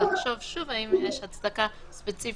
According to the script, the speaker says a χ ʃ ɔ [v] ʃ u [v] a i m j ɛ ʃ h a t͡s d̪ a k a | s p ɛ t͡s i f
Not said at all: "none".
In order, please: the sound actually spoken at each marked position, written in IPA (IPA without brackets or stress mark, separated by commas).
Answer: v, v